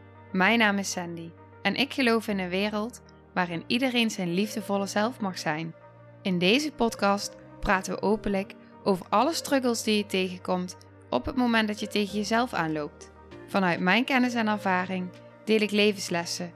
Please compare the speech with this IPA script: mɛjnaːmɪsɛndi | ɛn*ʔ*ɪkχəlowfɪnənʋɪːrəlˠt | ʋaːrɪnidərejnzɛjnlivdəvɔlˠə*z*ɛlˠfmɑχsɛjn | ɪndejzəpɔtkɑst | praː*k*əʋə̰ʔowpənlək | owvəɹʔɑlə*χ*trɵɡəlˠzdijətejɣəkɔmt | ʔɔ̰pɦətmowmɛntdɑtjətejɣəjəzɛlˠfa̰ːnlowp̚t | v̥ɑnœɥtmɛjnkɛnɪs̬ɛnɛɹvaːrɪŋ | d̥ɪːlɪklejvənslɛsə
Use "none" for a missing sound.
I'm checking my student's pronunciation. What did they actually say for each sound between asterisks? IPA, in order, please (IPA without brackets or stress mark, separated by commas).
ʔ, z, t, s